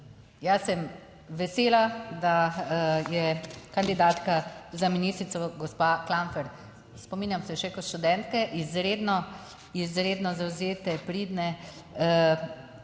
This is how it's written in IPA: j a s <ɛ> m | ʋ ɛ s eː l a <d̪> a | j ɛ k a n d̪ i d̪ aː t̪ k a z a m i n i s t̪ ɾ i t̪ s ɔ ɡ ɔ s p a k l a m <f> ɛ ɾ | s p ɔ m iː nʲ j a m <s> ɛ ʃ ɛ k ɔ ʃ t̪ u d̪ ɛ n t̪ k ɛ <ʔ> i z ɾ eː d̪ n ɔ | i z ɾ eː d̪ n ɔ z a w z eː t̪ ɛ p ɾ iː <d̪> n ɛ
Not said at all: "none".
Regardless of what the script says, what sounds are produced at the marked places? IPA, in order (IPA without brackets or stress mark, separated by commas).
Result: ɛ, d̪, f, s, ʔ, d̪